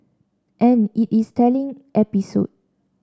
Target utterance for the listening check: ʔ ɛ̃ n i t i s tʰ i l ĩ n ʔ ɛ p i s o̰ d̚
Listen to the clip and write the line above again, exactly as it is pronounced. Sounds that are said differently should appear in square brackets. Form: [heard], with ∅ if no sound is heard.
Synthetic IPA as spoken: ʔ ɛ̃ n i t i s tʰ [ɛ] l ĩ [ŋ] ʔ ɛ p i s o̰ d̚